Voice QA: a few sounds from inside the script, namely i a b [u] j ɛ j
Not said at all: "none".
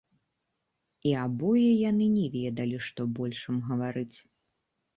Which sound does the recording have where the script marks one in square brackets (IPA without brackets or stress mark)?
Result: ɔ